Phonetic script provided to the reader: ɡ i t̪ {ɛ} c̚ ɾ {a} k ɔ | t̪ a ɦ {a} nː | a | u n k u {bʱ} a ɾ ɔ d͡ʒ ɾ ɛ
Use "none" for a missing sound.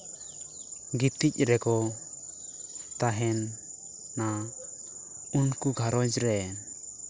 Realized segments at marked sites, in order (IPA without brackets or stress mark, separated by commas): i, ɛ, ɛ, ɡʱ